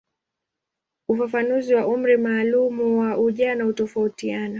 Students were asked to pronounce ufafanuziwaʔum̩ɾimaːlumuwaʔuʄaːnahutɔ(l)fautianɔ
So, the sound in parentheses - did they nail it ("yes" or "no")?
no